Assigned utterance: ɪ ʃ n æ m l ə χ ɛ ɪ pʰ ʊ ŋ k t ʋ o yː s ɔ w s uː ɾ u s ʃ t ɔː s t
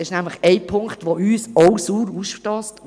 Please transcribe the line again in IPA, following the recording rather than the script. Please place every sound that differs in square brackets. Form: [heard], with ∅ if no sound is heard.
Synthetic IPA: ɪ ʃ n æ m l ə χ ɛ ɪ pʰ ʊ ŋ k t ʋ o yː s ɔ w s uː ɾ u s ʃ t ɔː s t